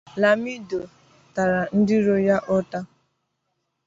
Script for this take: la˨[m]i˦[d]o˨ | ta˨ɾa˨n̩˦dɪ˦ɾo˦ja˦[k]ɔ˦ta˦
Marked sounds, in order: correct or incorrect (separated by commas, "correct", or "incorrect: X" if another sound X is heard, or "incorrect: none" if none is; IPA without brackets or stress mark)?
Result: correct, correct, incorrect: ʔ